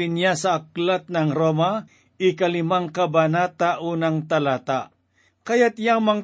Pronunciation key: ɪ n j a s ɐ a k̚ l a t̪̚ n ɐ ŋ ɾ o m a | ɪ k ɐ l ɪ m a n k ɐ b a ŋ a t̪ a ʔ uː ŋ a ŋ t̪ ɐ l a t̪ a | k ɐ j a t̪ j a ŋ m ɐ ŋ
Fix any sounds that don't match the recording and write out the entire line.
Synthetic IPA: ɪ n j a s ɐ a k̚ l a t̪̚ n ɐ ŋ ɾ o m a | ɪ k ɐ l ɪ m a ŋ k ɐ b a n a t̪ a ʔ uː n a ŋ t̪ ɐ l a t̪ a | k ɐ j a t̪ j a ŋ m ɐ ŋ